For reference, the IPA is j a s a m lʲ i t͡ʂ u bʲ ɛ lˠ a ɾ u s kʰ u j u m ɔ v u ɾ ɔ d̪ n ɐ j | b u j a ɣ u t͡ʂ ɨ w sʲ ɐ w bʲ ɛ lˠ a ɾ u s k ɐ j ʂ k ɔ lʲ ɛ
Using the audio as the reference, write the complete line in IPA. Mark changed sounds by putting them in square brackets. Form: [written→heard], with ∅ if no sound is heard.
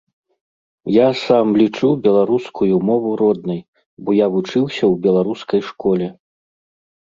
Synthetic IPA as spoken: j a s a m lʲ i t͡ʂ u bʲ ɛ lˠ a ɾ u s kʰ u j u m ɔ v u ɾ ɔ d̪ n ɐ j | b [u→ɔ] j a [ɣ→v] u t͡ʂ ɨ w sʲ ɐ w bʲ ɛ lˠ a ɾ u s k ɐ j ʂ k ɔ lʲ ɛ